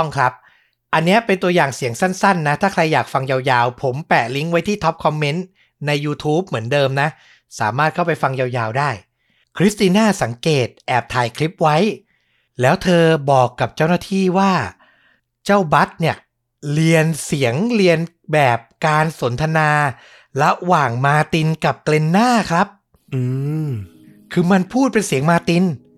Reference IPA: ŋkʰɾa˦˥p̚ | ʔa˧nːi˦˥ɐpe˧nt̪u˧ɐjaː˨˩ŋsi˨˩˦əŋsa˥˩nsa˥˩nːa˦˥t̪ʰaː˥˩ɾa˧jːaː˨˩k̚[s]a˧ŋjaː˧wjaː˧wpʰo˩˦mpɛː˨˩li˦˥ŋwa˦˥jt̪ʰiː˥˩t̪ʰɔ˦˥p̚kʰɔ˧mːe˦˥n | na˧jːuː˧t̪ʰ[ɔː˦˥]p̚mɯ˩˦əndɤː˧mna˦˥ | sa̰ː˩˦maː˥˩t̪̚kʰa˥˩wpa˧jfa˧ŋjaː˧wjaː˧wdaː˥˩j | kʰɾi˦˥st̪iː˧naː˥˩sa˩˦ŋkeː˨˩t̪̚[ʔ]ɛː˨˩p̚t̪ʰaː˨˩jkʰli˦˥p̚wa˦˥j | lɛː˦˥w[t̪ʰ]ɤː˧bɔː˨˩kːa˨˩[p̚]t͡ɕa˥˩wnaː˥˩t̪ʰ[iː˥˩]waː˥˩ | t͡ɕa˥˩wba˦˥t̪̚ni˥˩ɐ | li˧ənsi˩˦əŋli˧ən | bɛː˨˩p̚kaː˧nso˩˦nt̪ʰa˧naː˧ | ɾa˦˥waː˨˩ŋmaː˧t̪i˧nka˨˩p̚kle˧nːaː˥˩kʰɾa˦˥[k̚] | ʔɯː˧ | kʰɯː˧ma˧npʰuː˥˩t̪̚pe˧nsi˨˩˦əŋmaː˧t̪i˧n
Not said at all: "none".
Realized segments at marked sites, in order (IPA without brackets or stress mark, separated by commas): f, uː˦˥, ʔ, t̪ʰ, p̚, iː˥˩, p̚